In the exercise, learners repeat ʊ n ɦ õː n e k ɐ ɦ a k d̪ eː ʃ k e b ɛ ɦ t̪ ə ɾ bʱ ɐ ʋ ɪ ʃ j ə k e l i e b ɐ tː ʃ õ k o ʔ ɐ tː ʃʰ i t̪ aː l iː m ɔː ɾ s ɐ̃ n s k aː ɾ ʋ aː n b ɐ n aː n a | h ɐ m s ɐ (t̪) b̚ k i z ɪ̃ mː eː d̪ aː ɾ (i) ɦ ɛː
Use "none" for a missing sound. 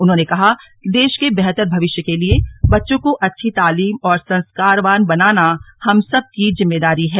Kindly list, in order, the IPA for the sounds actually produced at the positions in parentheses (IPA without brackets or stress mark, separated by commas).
none, i